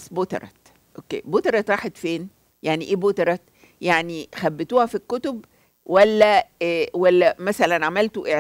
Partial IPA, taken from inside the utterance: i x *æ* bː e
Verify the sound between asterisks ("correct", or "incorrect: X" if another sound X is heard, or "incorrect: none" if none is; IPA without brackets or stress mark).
correct